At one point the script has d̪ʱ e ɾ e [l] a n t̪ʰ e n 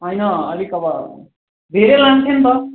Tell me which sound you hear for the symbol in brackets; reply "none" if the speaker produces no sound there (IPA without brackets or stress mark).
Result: l